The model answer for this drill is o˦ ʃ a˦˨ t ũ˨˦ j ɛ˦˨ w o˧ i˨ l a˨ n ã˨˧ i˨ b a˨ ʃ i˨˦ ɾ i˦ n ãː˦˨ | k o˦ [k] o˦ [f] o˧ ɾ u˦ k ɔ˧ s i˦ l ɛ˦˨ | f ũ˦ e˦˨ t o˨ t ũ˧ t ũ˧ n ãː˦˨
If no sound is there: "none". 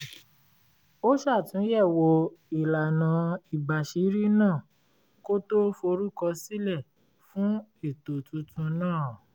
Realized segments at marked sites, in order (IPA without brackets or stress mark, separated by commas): t, f